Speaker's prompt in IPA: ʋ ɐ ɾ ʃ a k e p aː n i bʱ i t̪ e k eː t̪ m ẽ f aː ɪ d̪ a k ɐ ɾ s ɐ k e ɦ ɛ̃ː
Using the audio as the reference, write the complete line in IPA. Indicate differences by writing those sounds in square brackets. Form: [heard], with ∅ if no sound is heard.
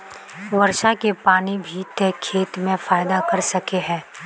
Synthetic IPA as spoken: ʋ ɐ ɾ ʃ a k e p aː n i bʱ i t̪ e [kʰ] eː t̪ m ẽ f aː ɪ d̪ a k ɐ ɾ s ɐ k e ɦ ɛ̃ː